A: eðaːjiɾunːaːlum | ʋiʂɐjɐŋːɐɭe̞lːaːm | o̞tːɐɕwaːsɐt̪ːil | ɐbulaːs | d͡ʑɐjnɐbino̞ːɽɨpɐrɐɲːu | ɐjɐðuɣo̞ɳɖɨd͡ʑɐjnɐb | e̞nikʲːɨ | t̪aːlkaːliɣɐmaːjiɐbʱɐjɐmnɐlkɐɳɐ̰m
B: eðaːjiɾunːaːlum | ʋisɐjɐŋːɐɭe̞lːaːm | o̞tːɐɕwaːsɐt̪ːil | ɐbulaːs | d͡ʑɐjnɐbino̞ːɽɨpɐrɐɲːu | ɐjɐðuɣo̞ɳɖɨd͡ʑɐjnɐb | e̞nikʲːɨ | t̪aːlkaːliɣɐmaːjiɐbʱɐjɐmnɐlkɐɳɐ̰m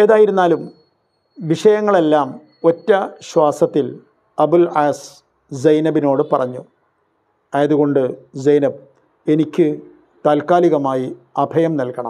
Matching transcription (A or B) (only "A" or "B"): A